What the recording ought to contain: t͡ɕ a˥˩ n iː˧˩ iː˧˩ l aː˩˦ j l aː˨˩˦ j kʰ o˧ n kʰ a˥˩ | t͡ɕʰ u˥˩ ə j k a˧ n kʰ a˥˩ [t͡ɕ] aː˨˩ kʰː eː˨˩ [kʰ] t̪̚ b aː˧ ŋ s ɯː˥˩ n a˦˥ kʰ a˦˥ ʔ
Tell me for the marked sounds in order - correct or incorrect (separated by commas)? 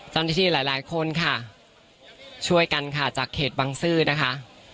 correct, incorrect